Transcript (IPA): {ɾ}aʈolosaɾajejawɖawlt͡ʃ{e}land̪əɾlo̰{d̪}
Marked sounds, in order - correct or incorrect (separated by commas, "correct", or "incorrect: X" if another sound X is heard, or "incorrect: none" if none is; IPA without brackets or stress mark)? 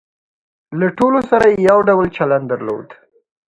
incorrect: l, incorrect: a, correct